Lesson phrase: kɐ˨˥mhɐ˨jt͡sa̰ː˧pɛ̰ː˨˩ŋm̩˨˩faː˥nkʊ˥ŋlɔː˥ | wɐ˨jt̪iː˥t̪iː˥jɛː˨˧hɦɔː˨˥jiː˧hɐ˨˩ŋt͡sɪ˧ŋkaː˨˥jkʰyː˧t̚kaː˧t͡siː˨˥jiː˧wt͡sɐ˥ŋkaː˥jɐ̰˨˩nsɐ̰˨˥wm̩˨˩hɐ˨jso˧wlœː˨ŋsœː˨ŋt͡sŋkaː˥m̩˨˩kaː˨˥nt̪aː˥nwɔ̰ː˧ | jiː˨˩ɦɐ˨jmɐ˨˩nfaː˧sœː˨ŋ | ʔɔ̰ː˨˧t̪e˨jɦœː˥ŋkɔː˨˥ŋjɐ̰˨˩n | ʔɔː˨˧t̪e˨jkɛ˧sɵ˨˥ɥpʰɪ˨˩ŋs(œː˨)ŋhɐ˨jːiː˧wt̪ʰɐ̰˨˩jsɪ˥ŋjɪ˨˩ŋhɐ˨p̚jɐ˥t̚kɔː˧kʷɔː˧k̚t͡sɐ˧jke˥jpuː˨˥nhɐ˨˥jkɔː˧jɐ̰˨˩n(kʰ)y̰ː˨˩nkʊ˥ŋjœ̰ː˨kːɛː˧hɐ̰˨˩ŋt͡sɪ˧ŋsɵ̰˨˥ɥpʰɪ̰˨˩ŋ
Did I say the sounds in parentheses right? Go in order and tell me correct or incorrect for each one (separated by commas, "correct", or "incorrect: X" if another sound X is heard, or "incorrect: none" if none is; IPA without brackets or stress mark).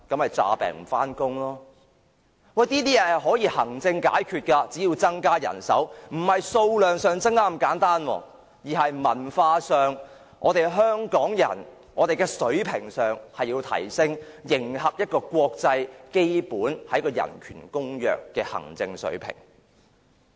correct, correct